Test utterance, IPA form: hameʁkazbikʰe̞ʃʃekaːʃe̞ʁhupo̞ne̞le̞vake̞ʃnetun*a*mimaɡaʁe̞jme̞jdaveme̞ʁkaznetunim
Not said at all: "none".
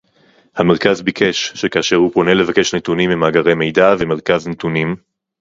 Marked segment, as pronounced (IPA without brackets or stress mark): i